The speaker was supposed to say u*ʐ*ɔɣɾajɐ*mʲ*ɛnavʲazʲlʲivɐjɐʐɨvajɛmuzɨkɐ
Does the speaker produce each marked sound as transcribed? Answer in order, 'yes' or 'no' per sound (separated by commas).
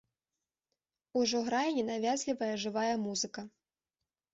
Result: yes, no